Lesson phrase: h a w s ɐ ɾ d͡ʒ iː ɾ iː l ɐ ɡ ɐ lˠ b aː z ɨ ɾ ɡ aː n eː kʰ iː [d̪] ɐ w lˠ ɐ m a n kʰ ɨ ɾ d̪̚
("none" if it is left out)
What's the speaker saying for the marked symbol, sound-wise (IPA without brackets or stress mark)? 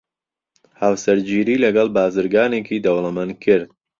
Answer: d̪